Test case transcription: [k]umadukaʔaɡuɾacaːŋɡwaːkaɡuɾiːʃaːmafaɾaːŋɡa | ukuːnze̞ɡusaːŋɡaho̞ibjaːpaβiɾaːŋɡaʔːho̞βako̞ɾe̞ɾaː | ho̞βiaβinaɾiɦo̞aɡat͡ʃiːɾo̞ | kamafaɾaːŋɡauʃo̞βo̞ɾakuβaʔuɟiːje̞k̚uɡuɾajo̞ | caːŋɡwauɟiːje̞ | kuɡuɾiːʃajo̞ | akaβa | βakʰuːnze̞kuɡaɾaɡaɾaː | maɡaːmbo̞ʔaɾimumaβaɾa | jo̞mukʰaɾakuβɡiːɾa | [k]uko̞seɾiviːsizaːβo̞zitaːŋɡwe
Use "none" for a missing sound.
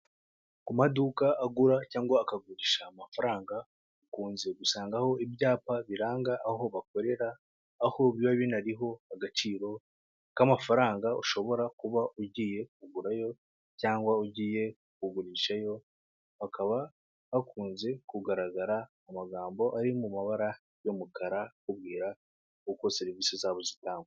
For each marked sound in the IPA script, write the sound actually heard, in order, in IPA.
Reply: k, k

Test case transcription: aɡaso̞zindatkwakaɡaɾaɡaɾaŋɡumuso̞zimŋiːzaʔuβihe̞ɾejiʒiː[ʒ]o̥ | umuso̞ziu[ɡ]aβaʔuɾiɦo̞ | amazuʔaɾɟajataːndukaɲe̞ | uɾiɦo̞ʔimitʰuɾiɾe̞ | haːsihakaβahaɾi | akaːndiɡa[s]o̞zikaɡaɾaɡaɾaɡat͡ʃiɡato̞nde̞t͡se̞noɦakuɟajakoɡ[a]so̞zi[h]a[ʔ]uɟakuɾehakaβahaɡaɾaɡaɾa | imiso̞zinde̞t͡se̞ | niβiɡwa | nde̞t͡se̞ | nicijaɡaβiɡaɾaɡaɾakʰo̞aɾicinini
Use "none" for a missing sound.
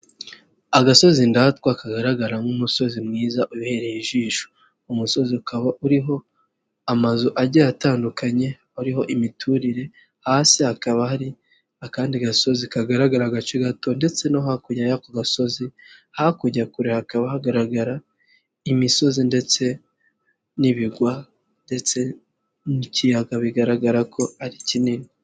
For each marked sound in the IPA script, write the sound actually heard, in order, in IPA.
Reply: ʃ, k, s, a, h, k

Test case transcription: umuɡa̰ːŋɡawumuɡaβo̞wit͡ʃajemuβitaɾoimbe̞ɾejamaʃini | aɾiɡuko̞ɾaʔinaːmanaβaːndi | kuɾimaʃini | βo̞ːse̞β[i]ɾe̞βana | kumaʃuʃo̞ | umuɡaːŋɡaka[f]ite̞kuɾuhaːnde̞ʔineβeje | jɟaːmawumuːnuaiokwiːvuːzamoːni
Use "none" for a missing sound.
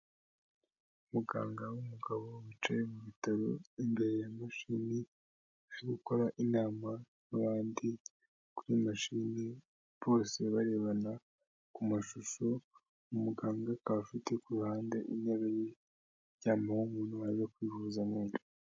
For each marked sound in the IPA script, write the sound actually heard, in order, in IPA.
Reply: a, f

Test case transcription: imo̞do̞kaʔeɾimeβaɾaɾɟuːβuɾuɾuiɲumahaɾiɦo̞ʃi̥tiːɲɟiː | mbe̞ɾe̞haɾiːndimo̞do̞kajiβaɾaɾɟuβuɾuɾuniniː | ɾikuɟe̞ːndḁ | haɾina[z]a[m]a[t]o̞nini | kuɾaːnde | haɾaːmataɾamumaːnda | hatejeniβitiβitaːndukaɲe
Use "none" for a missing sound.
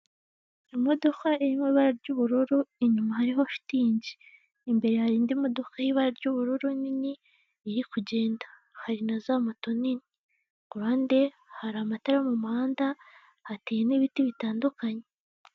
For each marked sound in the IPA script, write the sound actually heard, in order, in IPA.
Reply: z, m, t

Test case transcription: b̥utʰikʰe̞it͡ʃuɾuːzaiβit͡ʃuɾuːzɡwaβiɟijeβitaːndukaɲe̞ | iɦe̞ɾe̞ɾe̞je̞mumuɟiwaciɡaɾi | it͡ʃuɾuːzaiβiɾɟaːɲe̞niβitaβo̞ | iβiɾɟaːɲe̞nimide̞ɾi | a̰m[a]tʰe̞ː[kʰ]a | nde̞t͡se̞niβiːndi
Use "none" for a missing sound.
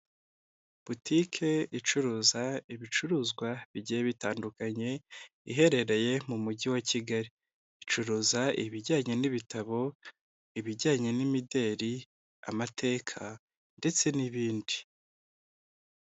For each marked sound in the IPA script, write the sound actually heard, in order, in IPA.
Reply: a, kʰ

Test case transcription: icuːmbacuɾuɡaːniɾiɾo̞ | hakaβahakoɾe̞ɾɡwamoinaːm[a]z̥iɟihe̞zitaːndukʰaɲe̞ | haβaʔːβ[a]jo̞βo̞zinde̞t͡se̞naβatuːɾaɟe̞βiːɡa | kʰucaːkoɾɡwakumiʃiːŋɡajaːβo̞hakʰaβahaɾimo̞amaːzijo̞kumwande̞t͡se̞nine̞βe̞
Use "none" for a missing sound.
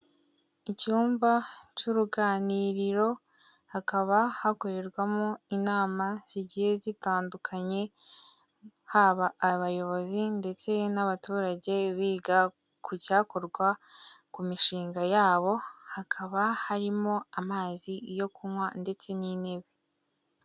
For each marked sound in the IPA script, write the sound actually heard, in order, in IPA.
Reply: a, a

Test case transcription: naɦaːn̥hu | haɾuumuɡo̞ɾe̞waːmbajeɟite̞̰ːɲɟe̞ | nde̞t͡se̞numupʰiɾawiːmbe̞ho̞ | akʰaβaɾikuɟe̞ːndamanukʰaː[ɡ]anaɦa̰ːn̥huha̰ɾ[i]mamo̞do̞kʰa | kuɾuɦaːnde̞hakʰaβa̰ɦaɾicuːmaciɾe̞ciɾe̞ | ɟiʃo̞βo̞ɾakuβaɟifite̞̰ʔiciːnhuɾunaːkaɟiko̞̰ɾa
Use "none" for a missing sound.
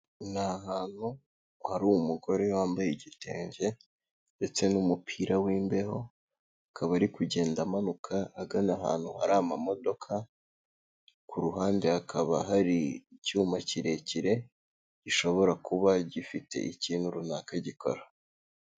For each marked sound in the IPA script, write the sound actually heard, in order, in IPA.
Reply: ɡ, a

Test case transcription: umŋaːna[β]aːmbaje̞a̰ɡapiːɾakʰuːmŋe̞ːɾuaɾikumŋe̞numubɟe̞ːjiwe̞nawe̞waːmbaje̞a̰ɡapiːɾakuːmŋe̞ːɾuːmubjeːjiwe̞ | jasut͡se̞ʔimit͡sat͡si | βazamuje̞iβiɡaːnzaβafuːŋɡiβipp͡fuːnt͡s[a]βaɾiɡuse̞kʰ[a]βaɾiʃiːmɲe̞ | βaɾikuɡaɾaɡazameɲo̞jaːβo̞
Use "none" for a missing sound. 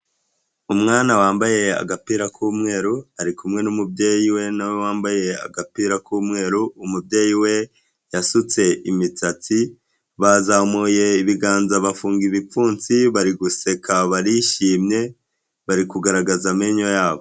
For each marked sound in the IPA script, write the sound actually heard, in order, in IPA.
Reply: w, i, a

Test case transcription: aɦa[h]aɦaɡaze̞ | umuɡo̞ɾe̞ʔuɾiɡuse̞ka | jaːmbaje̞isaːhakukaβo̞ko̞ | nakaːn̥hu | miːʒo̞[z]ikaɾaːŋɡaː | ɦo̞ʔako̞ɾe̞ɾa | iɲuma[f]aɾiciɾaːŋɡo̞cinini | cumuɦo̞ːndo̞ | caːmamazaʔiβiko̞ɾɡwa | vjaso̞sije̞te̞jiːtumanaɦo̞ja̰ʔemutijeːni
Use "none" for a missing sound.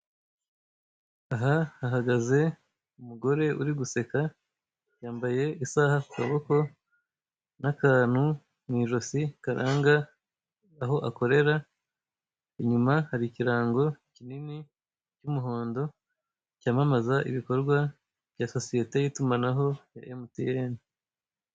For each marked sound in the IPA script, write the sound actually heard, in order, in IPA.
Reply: h, s, h

